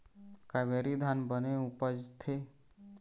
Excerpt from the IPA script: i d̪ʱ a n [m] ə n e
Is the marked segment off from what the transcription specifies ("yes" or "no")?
yes